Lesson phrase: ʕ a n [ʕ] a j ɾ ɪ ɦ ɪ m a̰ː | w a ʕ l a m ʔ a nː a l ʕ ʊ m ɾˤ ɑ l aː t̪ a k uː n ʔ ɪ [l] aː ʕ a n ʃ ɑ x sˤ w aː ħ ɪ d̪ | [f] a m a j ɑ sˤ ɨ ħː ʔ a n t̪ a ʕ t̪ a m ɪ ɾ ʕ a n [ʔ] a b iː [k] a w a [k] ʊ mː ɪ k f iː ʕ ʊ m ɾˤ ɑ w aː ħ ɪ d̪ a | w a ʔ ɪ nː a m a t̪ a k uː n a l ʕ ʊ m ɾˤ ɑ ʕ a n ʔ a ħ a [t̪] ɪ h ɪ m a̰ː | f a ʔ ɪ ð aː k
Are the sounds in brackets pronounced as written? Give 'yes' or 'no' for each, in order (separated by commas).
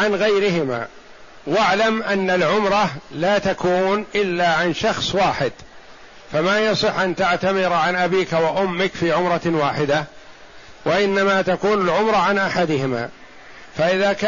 no, no, yes, yes, yes, no, no